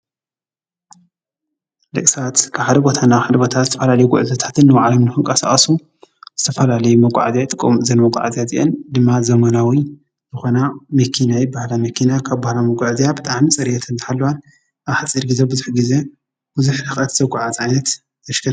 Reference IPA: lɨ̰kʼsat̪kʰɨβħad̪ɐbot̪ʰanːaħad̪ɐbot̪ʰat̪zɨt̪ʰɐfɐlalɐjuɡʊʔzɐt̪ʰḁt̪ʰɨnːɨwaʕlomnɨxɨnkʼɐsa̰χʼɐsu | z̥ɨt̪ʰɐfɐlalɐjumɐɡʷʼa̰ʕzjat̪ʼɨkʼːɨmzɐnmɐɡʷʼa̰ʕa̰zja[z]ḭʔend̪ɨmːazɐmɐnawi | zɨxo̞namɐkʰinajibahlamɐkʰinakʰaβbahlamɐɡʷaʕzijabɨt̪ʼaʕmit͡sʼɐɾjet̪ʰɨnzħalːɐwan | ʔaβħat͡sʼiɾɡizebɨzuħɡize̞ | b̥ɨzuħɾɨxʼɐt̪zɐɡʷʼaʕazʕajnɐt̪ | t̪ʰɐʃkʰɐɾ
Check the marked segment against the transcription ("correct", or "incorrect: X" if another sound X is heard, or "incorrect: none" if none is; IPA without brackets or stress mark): correct